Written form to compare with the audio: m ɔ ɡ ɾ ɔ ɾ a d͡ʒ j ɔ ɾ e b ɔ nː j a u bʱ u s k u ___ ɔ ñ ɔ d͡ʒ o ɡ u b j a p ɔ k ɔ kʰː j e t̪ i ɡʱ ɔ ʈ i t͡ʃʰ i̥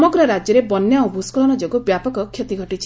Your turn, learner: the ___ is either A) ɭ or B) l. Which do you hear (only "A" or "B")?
B